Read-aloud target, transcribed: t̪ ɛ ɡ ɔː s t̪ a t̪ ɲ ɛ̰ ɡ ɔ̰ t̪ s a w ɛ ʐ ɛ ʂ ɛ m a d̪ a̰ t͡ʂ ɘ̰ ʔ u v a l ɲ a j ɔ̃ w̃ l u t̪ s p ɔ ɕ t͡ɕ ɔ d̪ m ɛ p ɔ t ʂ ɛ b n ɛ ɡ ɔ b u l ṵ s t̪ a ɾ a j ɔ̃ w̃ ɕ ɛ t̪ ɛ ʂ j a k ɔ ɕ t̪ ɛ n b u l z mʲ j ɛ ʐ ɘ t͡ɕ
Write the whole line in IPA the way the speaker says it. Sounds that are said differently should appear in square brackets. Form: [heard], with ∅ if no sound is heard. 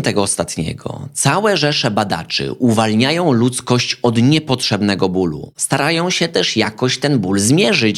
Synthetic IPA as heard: t̪ ɛ ɡ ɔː s t̪ a t̪ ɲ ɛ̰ ɡ ɔ̰ t̪ s a w ɛ ʐ ɛ ʂ ɛ [b] a d̪ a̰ t͡ʂ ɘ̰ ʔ u v a l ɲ a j ɔ̃ w̃ l u t̪ s [k] ɔ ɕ t͡ɕ ɔ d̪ [ɲ] ɛ p ɔ t ʂ ɛ b n ɛ ɡ ɔ b u l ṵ s t̪ a ɾ a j ɔ̃ w̃ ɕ ɛ t̪ ɛ ʂ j a k ɔ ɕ t̪ ɛ n b u l z mʲ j ɛ ʐ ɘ t͡ɕ